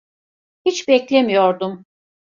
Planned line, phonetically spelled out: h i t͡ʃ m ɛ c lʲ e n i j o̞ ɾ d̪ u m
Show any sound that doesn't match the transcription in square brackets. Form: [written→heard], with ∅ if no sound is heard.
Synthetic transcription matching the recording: h i t͡ʃ [m→b] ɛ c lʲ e [n→m] i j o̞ ɾ d̪ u m